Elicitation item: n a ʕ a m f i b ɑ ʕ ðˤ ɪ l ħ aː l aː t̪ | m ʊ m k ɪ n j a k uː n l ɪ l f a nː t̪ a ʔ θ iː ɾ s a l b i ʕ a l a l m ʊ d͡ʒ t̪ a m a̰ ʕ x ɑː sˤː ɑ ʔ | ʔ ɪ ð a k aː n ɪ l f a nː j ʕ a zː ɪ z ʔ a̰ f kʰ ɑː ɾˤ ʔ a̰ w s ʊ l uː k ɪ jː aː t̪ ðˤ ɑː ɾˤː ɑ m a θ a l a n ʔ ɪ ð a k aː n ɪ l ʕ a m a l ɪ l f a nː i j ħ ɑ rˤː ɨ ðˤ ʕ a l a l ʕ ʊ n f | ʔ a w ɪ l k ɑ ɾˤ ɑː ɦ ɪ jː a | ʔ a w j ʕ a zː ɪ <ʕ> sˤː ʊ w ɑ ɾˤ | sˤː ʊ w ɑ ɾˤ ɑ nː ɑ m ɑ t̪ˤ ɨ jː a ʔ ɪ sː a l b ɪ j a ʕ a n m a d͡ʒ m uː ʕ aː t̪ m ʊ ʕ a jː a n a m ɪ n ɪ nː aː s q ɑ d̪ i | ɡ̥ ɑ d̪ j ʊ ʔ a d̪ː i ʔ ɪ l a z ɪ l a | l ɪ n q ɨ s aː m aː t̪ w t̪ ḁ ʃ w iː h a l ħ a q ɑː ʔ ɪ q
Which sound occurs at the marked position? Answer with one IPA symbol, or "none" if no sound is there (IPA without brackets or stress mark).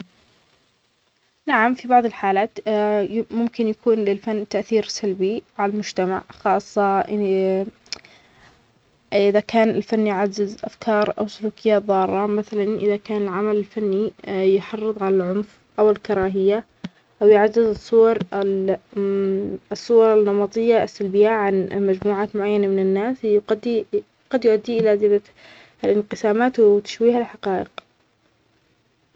z